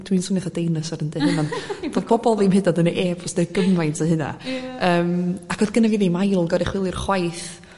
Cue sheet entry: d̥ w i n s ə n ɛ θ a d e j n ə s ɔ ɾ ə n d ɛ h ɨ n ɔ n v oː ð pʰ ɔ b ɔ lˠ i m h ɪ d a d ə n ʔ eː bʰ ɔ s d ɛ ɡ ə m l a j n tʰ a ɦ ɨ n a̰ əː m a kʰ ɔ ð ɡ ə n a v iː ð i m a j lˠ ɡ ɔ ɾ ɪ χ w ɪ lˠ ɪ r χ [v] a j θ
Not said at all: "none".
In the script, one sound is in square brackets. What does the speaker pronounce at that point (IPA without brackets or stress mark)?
w